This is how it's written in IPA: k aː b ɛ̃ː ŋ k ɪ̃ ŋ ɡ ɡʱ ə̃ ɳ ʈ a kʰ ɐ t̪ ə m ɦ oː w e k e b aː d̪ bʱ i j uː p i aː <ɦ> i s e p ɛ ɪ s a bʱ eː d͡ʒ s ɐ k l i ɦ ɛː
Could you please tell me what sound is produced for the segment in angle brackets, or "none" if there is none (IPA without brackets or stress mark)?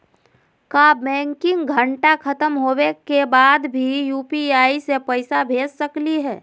none